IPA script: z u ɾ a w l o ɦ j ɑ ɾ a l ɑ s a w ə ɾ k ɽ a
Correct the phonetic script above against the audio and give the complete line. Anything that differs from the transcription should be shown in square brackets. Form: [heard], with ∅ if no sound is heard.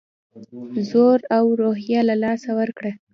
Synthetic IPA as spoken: z [o] ɾ a w [ɾ] o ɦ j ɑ [l] a l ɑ s a w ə ɾ k ɽ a